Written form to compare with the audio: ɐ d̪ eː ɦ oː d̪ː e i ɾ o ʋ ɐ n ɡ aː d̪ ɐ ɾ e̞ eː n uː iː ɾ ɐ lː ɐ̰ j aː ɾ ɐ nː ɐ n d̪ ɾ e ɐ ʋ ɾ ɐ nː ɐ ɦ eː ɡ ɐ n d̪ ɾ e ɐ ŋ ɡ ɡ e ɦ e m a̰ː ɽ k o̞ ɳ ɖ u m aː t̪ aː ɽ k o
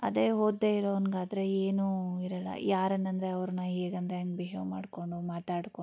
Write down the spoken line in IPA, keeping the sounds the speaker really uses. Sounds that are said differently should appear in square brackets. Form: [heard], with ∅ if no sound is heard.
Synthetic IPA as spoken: ɐ d̪ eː ɦ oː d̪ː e i ɾ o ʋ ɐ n ɡ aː d̪ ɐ ɾ e̞ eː n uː [i] ɾ ɐ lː ɐ̰ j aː ɾ ɐ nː ɐ n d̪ ɾ e ɐ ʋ ɾ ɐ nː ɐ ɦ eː ɡ ɐ n d̪ ɾ e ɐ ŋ ɡ [b] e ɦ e m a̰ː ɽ k o̞ ɳ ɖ u m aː t̪ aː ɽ k o